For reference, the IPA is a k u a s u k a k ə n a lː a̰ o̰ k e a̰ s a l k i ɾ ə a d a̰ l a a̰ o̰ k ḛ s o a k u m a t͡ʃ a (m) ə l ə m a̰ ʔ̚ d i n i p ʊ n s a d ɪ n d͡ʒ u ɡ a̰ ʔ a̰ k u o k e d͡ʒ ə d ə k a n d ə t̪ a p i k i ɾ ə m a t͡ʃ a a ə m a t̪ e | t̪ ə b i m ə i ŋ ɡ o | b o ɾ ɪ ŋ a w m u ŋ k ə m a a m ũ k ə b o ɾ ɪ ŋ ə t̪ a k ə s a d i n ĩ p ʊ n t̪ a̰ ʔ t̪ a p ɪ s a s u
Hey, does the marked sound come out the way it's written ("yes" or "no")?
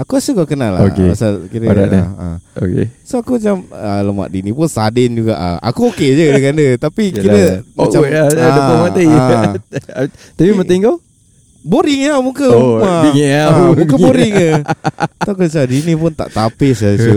yes